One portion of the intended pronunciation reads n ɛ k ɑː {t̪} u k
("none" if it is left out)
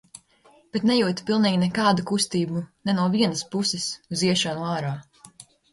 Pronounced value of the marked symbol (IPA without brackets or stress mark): d̪